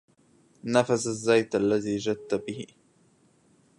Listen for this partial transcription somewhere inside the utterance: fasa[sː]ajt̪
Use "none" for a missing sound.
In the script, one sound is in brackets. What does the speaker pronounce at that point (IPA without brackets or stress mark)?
zː